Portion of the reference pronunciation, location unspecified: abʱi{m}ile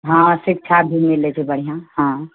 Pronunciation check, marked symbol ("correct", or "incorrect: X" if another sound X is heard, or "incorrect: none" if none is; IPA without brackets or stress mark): correct